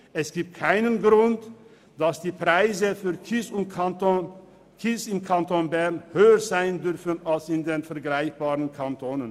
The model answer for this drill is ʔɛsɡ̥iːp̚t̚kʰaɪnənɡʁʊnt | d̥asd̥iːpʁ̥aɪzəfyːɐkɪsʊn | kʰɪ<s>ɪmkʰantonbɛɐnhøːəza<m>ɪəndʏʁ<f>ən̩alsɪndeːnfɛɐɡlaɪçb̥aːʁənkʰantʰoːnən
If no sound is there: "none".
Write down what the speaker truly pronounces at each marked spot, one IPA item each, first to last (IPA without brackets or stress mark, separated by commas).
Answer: s, none, f